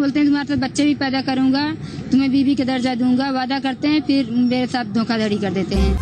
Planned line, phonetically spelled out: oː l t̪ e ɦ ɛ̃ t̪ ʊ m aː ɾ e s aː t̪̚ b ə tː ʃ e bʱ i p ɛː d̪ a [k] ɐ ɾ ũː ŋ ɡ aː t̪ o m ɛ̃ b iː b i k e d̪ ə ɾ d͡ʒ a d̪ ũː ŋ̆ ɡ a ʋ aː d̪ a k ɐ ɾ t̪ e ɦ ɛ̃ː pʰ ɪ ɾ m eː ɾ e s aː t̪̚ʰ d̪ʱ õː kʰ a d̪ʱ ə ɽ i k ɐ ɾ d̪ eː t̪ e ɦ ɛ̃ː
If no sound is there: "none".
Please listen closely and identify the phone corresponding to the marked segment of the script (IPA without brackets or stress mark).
k